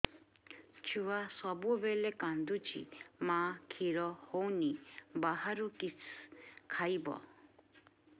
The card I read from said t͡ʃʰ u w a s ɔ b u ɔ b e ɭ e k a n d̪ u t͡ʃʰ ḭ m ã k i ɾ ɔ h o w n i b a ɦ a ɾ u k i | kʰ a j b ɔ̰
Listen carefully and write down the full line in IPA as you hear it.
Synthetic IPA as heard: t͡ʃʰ u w a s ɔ b u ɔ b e l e k a n d̪ u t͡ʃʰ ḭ m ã kʰ i ɾ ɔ h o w n i b a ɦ a ɾ u k i | kʰ a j b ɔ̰

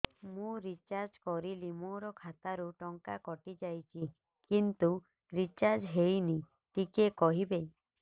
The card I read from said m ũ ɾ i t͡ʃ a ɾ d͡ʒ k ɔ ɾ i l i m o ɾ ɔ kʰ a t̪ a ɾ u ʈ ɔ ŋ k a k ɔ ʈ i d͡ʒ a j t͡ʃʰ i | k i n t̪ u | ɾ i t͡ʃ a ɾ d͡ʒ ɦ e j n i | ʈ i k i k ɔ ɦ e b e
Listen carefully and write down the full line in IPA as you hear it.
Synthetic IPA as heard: m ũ ɾ i t͡ʃ a ɾ d͡ʒ k ɔ ɾ i l i m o ɾ ɔ kʰ a t̪ a ɾ u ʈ ɔ ŋ k a k ɔ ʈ i d͡ʒ a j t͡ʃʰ i | k i n t̪ u | ɾ i t͡ʃ a ɾ d͡ʒ ɦ e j n i | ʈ i k e k ɔ ɦ i b e

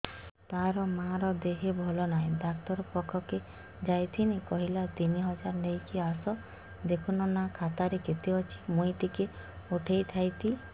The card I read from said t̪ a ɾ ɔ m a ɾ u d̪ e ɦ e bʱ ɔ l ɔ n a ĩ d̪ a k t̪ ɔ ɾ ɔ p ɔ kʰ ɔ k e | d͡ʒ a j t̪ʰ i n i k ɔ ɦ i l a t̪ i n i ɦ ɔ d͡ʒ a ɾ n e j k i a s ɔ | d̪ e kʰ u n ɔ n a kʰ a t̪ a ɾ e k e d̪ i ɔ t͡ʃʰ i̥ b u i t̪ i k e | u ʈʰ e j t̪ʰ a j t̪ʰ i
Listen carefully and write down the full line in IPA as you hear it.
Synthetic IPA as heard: t̪ a ɾ ɔ m a ɾ ɔ d̪ e ɦ e bʱ ɔ l ɔ n a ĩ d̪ a k t̪ ɔ ɾ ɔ p ɔ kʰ ɔ k e | d͡ʒ a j t̪ʰ i n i k ɔ ɦ i l a t̪ i n i ɦ ɔ d͡ʒ a ɾ n e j k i a s ɔ | d̪ e kʰ u n ɔ n a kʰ a t̪ a ɾ e k e t̪ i ɔ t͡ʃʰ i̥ m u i t̪ i k e | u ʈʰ e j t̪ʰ a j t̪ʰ i

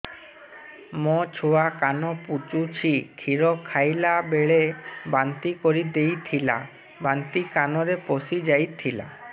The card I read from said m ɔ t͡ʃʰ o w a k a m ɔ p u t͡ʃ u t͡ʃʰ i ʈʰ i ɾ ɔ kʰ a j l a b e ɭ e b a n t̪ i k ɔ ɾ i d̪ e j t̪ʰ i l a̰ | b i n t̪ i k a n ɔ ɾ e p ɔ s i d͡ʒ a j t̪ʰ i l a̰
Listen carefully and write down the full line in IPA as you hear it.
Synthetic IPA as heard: m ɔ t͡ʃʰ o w a k a n ɔ p u t͡ʃ u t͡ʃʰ i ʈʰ i ɾ ɔ kʰ a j l a b e ɭ e b a n t̪ i k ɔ ɾ i d̪ e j t̪ʰ i l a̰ | b a n t̪ i k a n ɔ ɾ e p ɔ s i d͡ʒ a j t̪ʰ i l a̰

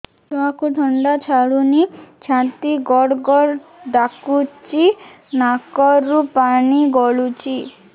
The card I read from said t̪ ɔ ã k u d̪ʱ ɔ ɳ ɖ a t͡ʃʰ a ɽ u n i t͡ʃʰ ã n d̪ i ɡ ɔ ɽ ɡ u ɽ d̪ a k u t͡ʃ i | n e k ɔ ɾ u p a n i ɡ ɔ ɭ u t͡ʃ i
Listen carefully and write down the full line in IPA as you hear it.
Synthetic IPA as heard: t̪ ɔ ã k u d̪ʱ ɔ ɳ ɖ a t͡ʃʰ a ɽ u n i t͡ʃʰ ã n t̪ i ɡ ɔ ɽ ɡ ɔ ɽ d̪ a k u t͡ʃ i | n a k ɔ ɾ u p a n i ɡ ɔ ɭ u t͡ʃ i

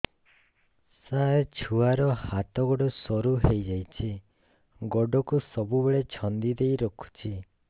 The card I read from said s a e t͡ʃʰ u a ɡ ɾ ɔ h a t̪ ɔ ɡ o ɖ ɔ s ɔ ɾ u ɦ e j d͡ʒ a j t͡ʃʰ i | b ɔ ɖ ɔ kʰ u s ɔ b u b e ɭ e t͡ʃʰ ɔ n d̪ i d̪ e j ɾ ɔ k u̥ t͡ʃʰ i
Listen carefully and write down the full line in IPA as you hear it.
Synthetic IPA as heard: s a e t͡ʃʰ u a ɾ ɔ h a t̪ ɔ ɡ ɔ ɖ ɔ s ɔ ɾ u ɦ e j d͡ʒ a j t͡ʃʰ i | ɡ ɔ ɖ ɔ k u s ɔ b u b e ɭ e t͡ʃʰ ɔ n d̪ i d̪ e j ɾ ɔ kʰ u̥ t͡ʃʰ i

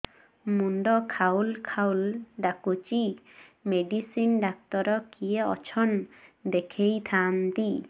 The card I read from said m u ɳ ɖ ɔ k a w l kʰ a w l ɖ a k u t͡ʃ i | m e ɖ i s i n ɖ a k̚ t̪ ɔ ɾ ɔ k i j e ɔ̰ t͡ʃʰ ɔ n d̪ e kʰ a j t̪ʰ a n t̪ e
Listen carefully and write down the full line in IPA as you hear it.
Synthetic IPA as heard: m u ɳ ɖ ɔ kʰ a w l kʰ a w l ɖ a k u t͡ʃ i | m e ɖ i s i n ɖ a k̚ t̪ ɔ ɾ ɔ k i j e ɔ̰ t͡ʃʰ ɔ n d̪ e kʰ e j t̪ʰ a n t̪ i

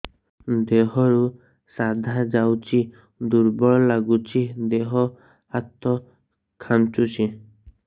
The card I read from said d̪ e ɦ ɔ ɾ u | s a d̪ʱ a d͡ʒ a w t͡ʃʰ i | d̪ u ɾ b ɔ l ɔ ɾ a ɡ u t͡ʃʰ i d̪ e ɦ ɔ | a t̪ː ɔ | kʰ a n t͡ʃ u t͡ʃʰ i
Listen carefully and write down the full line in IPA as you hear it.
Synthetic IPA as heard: d̪ e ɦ ɔ ɾ u | s a d̪ʱ a d͡ʒ a w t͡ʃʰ i | d̪ u ɾ b ɔ ɭ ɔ l a ɡ u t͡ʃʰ i d̪ e ɦ ɔ | a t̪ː ɔ | kʰ a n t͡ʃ u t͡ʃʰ i

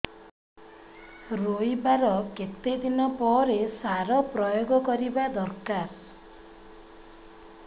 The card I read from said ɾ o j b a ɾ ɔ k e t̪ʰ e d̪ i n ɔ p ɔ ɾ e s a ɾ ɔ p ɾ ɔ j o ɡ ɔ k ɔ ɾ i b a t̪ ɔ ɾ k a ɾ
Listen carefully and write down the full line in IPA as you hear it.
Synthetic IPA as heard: ɾ o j b a ɾ ɔ k e t̪ e d̪ i n ɔ p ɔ ɾ e s a ɾ ɔ p ɾ ɔ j o ɡ ɔ k ɔ ɾ i b a d̪ ɔ ɾ k a ɾ

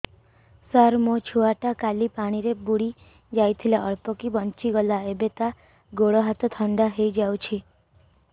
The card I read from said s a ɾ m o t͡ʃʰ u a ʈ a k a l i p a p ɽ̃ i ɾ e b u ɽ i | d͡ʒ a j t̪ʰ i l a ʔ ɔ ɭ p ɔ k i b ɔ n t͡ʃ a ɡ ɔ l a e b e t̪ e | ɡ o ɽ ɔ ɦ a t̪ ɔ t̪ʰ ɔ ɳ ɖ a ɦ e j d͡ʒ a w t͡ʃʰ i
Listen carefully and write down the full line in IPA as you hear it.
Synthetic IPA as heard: s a ɾ m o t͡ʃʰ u a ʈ a k a l i p a ɽ̃ i ɾ e b u ɽ i | d͡ʒ a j t̪ʰ i l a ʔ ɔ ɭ p ɔ k i b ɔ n t͡ʃ i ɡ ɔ l a e b e t̪ a | ɡ o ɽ ɔ ɦ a t̪ ɔ t̪ʰ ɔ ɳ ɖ a ɦ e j d͡ʒ a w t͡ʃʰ i

